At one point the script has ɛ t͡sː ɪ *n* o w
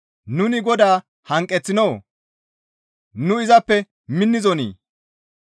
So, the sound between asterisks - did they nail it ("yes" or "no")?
yes